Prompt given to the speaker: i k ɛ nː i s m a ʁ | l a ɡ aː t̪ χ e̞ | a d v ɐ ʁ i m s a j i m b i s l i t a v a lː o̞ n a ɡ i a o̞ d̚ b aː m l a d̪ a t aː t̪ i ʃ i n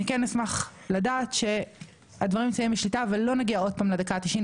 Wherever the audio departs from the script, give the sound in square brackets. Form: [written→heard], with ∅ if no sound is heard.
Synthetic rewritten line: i k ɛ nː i s m a [ʁ→χ] | l a [ɡ→d] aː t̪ [χ→ʃ] e̞ | a d v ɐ ʁ i m s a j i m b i [s→ʃ] l i t a v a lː o̞ n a ɡ i a o̞ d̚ [b→p] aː m l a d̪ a [t→k] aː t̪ i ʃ i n